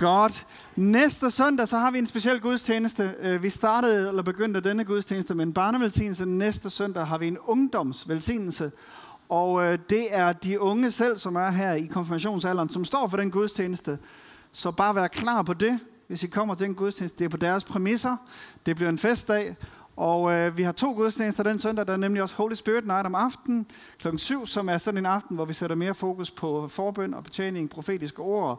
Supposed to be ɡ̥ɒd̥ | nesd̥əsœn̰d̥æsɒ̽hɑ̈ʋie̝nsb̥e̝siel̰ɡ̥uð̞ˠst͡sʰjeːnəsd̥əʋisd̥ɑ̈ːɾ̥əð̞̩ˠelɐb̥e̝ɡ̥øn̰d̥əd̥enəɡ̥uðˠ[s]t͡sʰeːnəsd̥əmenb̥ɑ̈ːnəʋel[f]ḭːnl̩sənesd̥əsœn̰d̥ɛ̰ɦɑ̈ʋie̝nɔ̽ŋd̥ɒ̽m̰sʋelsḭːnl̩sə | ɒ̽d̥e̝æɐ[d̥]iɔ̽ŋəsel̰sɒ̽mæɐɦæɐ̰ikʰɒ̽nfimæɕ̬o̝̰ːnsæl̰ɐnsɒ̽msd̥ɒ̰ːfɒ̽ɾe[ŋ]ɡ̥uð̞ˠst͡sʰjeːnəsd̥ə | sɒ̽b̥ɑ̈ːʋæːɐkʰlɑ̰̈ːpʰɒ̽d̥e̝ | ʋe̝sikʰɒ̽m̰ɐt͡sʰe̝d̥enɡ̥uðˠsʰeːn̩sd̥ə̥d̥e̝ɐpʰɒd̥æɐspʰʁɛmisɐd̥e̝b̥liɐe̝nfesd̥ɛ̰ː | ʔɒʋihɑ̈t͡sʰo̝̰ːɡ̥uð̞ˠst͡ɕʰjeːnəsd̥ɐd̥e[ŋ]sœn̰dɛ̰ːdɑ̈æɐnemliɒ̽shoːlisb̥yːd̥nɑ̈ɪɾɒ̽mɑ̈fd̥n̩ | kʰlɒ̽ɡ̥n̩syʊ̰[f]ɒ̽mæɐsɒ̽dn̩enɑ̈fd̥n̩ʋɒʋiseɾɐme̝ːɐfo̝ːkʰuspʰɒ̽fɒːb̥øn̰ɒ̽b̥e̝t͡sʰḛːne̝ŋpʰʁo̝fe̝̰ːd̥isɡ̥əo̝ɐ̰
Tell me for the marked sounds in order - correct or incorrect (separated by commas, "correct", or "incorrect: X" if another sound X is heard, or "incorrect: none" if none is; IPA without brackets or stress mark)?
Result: correct, incorrect: s, correct, incorrect: n, incorrect: n, incorrect: s